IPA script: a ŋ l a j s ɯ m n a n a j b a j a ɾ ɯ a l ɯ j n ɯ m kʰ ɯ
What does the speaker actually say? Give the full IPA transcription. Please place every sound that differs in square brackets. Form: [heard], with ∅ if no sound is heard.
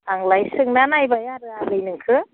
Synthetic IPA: a ŋ l a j s ɯ [ŋ] n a n a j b a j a ɾ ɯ a l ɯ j n ɯ [ŋ] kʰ ɯ